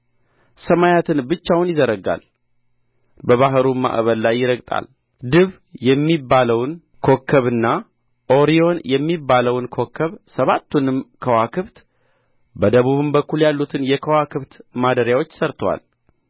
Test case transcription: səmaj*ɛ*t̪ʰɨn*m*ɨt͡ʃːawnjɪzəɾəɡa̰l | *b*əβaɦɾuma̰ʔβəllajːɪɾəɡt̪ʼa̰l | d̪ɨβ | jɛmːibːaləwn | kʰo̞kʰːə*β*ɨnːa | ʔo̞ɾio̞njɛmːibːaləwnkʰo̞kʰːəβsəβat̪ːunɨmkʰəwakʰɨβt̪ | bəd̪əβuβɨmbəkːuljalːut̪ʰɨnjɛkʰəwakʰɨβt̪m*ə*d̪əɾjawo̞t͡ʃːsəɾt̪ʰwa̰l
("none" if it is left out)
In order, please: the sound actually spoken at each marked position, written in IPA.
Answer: a, b, b, β, a

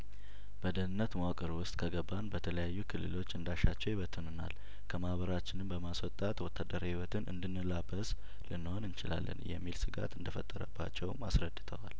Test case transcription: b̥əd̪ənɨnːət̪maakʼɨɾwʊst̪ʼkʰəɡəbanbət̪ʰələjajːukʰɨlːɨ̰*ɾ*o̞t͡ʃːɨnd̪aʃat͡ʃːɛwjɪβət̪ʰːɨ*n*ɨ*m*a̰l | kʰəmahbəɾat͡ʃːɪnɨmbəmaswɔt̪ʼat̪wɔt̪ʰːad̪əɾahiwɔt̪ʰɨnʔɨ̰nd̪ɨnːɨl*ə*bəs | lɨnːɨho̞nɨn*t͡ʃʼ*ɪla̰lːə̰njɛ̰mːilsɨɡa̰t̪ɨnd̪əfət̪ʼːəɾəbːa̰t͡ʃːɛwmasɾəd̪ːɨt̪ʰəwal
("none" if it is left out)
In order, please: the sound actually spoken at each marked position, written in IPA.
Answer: l, n, n, a, t͡ʃ

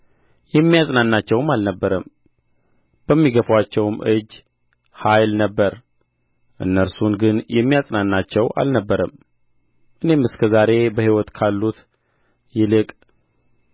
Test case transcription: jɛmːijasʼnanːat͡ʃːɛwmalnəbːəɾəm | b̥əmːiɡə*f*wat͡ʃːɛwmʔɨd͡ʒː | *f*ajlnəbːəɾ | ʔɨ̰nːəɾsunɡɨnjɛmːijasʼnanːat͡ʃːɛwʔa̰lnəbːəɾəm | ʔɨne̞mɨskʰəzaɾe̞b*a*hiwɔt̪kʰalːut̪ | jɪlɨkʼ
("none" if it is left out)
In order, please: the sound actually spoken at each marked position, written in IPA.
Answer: f, h, ə

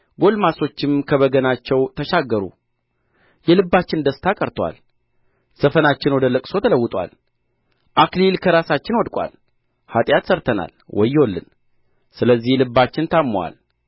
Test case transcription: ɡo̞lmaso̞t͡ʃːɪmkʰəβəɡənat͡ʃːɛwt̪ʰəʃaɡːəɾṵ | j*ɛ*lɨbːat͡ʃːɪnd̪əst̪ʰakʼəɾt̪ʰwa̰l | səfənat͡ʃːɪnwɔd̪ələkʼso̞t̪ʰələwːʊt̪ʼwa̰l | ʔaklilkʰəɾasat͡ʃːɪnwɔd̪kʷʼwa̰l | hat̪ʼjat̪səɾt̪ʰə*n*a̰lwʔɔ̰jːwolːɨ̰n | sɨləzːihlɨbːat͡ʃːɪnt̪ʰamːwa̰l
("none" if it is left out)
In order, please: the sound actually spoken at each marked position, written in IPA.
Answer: ɛ, n

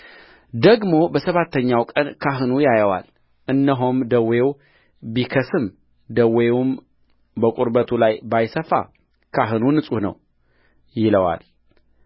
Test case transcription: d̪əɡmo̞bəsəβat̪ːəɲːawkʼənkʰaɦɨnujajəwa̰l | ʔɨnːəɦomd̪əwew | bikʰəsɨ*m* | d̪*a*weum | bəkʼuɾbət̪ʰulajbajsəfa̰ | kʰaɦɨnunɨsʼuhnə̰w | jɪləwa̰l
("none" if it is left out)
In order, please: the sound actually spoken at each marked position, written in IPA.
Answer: m, ə

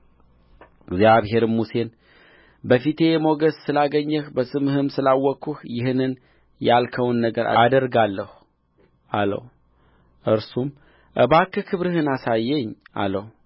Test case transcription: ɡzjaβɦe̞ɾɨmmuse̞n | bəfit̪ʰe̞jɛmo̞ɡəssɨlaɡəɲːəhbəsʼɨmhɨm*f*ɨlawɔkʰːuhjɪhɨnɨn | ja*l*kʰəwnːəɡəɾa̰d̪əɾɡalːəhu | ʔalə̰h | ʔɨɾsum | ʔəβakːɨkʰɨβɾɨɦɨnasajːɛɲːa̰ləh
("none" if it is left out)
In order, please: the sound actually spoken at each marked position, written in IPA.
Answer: s, l

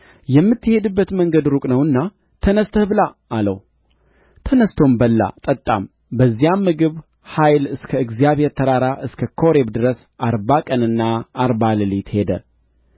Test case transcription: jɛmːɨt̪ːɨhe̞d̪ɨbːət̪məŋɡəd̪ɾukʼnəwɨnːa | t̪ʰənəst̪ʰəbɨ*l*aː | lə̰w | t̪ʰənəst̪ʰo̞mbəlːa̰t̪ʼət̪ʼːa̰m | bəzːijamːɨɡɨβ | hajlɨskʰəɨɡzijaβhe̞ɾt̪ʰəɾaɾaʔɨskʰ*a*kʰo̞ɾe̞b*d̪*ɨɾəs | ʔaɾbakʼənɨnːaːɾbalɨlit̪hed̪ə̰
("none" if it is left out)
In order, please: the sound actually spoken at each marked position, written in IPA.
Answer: l, ə, d̪

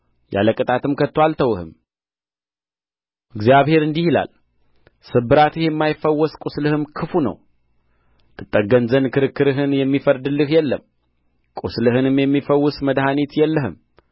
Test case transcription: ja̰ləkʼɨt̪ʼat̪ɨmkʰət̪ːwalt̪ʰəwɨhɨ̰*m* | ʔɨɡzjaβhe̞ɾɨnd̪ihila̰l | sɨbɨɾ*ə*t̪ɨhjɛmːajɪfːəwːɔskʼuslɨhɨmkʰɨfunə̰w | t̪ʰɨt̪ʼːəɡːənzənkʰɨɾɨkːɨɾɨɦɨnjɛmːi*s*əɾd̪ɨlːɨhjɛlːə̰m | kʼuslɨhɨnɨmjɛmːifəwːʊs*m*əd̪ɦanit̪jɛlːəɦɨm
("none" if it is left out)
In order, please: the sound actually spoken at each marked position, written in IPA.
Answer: m, a, f, m

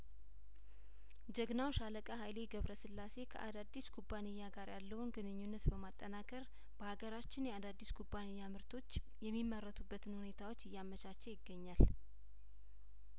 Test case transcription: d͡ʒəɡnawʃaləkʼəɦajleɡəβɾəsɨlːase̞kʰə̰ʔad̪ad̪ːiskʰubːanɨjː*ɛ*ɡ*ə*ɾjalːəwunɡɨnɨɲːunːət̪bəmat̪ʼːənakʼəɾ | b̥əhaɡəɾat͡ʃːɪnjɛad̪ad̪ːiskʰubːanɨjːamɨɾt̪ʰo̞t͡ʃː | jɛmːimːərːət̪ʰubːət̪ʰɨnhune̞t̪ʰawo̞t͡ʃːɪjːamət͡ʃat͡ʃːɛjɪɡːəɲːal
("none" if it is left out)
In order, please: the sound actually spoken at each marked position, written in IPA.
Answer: a, a

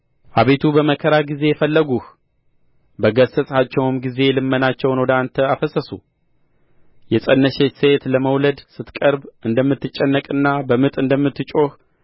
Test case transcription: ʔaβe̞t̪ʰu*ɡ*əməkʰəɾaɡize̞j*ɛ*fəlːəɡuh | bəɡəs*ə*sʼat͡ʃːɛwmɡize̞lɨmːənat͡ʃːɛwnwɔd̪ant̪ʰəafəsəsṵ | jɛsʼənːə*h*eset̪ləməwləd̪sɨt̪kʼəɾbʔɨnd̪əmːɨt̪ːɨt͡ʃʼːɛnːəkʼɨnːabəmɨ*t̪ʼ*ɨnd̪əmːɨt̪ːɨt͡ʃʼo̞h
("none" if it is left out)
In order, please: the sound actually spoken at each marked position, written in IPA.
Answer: b, ɛ, ə, ʃ, t̪ʼ

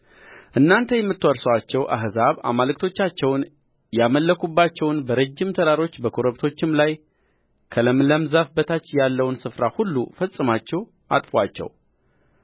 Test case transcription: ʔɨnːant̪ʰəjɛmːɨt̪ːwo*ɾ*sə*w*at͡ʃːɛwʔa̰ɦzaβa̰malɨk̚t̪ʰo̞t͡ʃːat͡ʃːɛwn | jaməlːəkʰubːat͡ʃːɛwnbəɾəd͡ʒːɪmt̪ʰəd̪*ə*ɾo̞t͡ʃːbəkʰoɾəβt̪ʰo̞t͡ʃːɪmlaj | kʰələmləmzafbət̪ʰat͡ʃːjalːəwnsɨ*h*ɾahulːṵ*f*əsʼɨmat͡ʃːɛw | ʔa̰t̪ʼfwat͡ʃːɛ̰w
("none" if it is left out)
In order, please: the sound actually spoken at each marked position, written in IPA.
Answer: ɾ, w, a, f, f

